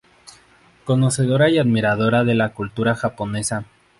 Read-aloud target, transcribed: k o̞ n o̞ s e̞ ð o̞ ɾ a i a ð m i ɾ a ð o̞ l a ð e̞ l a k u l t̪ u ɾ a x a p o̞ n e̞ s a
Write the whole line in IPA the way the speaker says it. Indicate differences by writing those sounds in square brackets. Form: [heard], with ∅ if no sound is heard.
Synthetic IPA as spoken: k o̞ n o̞ s e̞ ð o̞ ɾ a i a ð m i ɾ a ð o̞ [ɾ] a ð e̞ l a k u l t̪ u ɾ a x a p o̞ n e̞ s a